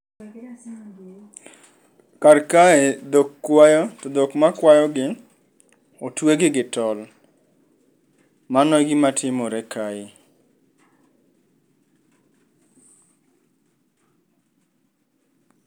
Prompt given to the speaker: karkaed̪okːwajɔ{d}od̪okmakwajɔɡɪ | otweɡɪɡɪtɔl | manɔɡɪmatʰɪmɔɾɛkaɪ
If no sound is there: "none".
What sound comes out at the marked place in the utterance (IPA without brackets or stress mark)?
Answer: t